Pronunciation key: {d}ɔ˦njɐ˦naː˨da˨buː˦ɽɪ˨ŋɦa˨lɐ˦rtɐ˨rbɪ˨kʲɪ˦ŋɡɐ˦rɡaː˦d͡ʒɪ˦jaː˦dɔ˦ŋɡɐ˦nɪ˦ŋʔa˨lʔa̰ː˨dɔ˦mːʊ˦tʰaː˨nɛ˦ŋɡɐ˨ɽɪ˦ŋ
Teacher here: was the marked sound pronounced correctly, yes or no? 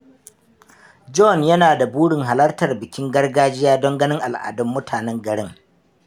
no